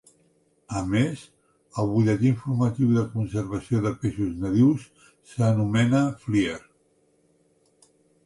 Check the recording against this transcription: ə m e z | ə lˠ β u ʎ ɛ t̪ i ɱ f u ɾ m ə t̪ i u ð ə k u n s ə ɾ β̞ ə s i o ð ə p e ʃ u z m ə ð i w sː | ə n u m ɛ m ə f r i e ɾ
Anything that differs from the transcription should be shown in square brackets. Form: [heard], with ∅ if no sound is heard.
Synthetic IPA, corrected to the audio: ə m e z | ə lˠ β u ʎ ɛ t̪ i ɱ f u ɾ m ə t̪ i [w] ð ə k u n s ə ɾ β̞ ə s i o ð ə p e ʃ u z [n] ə ð i w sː | ə n u m ɛ [n] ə f [l] i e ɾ